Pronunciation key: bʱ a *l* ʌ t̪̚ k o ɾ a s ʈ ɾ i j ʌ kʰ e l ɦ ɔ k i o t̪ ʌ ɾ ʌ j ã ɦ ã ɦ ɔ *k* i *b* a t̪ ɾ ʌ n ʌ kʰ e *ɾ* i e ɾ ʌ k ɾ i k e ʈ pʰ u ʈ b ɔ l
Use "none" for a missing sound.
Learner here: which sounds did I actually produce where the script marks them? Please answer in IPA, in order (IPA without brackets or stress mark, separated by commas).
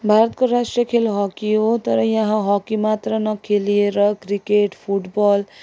ɾ, k, m, l